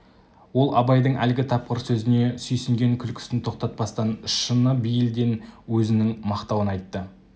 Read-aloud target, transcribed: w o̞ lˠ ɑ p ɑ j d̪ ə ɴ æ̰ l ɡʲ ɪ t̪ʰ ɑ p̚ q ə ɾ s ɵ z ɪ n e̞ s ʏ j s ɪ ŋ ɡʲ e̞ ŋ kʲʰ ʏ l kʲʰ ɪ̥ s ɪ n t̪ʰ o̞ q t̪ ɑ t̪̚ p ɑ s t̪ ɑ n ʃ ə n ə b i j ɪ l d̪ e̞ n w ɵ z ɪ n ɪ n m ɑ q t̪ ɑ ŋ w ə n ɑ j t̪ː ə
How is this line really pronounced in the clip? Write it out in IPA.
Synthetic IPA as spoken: w o̞ lˠ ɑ b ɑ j d̪ ə ɴ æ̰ l ɡʲ ɪ t̪ʰ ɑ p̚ q ə ɾ s ɵ z ɪ n e̞ s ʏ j s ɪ ŋ ɡʲ e̞ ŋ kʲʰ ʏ l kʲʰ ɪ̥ s ɪ n t̪ʰ o̞ q t̪ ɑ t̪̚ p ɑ s t̪ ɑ n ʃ ə n ə b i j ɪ l d̪ e̞ n w ɵ z ɪ n ɪ ŋ m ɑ q t̪ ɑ w ə n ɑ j t̪ː ə